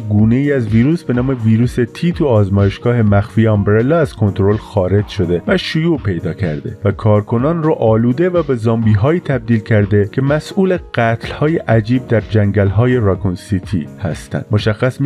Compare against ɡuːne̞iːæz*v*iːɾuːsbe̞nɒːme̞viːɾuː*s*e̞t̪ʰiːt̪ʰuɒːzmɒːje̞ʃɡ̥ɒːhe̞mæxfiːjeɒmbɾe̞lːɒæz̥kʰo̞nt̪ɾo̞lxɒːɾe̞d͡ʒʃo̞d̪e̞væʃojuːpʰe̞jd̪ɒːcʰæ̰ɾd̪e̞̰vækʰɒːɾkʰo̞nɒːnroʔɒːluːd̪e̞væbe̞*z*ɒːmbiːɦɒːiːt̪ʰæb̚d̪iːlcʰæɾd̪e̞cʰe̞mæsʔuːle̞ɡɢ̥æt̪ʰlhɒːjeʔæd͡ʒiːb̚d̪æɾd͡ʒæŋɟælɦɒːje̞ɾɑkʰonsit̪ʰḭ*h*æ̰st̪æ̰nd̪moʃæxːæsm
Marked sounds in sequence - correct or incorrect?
correct, correct, correct, correct

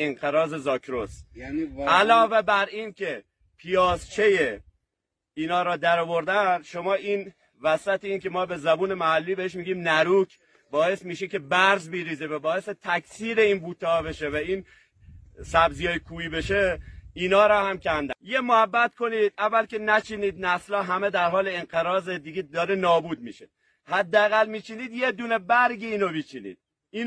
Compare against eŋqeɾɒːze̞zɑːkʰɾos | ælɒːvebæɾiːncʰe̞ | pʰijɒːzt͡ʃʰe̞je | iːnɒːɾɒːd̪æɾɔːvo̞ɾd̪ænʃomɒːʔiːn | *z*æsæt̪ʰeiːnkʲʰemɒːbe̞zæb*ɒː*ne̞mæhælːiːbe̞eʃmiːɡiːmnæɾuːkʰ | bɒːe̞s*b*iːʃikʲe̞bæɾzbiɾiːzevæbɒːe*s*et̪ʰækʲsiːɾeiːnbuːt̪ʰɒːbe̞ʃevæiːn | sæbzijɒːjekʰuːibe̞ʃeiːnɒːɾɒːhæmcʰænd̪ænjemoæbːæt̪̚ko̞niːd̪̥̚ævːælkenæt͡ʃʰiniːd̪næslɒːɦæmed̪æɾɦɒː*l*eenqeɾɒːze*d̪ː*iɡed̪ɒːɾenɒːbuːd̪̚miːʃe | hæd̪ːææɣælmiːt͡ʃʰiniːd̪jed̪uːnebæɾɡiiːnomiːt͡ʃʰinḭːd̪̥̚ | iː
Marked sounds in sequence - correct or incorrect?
incorrect, incorrect, incorrect, correct, correct, incorrect

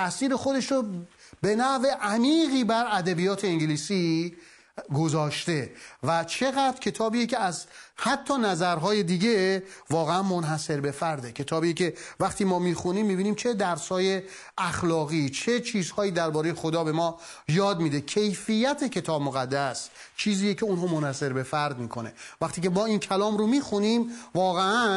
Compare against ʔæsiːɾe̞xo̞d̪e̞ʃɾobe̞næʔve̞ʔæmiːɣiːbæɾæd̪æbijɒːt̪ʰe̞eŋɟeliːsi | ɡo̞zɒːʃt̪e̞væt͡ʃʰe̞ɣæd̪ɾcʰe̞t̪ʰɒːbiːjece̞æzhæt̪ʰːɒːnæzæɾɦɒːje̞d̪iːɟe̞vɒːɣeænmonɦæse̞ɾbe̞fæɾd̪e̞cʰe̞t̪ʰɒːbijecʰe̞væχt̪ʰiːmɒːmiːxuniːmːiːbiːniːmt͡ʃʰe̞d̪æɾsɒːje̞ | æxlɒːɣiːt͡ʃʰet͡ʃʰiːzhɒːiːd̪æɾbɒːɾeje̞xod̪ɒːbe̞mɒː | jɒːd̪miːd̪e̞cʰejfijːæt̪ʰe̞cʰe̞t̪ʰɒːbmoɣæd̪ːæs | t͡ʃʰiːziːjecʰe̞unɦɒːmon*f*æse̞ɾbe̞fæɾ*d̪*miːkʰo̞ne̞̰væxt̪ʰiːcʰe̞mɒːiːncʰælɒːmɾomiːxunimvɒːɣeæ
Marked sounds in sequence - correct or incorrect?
incorrect, correct

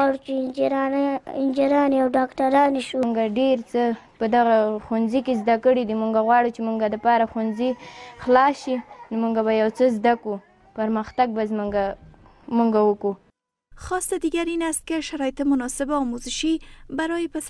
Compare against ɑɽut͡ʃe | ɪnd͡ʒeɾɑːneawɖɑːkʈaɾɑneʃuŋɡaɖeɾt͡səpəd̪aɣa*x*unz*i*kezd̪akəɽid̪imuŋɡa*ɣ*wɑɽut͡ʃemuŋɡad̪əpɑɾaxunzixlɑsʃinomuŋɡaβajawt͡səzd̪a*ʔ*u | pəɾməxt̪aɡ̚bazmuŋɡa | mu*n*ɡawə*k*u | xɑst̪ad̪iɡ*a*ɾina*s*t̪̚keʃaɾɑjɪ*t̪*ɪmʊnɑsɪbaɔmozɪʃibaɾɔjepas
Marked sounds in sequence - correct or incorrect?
correct, correct, correct, incorrect, incorrect, correct, correct, correct, correct

